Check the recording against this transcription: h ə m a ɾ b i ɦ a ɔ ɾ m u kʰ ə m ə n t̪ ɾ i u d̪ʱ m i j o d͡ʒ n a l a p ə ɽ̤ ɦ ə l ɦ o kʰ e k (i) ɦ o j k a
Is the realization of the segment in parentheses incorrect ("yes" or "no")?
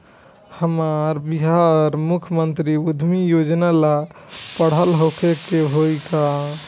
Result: yes